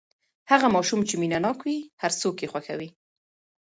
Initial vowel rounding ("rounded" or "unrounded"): unrounded